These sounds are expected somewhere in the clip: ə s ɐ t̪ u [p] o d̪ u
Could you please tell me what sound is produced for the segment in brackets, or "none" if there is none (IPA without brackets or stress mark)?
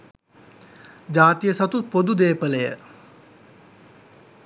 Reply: p